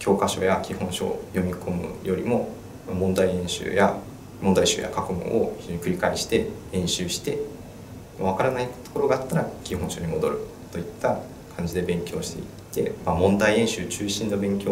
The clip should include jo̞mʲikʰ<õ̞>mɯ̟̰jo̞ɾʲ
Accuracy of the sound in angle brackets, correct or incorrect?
incorrect